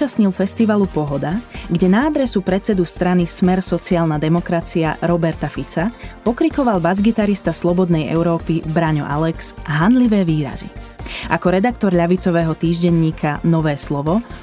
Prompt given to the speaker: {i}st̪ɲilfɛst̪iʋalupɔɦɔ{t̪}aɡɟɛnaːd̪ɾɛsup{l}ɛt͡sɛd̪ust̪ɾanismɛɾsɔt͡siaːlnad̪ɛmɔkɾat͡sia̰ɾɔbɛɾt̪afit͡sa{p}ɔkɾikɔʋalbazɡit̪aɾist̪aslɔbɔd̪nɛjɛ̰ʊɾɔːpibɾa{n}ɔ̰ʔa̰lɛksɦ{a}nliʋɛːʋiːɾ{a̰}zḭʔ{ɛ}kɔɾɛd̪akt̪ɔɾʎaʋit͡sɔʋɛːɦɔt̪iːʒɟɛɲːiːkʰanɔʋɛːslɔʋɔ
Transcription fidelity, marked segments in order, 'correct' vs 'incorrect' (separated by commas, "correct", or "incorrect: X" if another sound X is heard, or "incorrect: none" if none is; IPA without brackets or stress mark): incorrect: a, incorrect: d̪, incorrect: ɾ, correct, incorrect: ɲ, correct, correct, incorrect: a